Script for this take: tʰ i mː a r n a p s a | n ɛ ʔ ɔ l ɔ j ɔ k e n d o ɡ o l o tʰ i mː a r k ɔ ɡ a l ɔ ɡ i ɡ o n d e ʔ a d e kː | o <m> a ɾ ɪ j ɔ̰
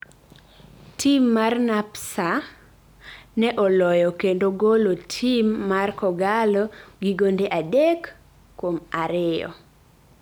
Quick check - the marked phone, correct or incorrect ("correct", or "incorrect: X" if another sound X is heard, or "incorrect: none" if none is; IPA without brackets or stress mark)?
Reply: correct